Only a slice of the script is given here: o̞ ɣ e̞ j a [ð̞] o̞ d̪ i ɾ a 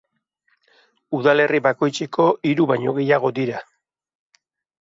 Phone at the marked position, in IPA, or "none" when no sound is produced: ɣ̞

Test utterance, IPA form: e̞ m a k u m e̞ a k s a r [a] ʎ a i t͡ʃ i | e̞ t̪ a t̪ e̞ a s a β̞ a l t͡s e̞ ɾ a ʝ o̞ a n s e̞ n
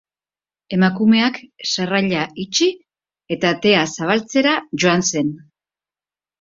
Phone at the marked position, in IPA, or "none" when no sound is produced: a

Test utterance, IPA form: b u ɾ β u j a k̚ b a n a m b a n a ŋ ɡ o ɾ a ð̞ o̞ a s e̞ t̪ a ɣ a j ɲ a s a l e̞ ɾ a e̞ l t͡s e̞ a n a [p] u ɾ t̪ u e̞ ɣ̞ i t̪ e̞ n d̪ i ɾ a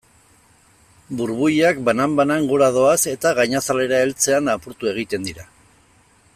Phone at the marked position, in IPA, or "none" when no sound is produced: p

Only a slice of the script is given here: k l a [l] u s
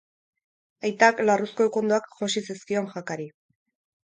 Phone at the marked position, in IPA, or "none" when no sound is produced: r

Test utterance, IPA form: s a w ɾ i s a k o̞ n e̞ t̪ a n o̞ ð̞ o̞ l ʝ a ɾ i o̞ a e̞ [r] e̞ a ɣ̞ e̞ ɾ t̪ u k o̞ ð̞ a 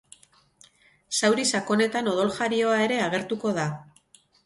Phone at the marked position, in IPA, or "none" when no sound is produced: ɾ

